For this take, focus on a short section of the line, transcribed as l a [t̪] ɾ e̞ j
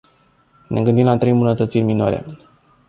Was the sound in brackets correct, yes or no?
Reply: yes